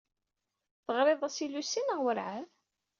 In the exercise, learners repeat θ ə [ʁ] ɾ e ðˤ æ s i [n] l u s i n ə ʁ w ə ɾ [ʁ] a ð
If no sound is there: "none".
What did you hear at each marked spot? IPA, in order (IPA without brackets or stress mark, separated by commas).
ʁ, none, ʕ